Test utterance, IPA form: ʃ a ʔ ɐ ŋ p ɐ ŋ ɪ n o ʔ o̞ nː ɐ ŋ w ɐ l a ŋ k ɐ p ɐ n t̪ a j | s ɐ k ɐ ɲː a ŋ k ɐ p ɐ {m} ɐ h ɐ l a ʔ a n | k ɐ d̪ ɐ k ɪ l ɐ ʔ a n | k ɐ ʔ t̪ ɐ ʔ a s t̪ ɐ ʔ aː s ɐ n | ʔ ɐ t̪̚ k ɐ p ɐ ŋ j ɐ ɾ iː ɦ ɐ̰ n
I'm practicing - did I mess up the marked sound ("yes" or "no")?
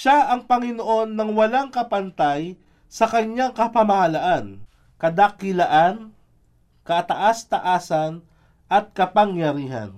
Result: no